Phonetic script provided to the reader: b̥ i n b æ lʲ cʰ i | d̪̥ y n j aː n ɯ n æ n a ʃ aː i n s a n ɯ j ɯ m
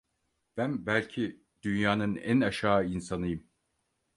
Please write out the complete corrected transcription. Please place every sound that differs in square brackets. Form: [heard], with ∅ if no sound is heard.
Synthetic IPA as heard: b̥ [æ] n b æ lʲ cʰ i | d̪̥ y n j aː n ɯ n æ n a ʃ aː i n s a n ɯ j ɯ m